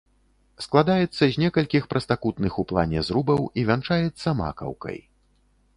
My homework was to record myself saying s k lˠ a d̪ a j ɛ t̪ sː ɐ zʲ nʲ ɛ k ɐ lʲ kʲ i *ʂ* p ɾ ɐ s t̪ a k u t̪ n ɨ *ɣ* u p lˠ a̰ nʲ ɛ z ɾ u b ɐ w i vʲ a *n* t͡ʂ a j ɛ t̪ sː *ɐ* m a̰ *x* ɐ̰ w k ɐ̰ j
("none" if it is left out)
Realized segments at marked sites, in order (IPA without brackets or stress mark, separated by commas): x, x, n, ɐ, k